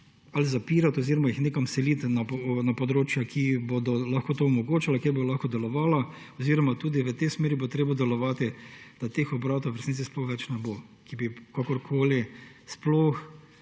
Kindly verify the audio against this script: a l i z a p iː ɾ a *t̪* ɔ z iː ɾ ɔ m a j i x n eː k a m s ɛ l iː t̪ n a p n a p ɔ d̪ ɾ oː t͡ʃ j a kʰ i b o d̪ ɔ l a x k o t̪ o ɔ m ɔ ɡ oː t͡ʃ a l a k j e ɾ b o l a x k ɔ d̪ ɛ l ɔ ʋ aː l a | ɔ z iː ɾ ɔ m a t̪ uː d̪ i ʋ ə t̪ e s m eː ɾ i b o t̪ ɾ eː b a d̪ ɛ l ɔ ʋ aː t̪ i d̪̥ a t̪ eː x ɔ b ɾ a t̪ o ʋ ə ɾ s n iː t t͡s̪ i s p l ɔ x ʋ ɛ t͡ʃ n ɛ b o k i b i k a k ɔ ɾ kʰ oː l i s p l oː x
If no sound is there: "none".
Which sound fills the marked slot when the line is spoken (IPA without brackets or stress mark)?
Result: t̪